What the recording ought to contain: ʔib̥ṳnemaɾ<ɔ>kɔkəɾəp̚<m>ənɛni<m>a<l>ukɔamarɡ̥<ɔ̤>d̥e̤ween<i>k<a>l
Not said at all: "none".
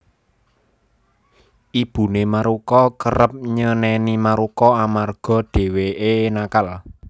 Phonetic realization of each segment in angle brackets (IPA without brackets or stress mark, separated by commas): u, ɲ, m, ɾ, ɔ̤, a, a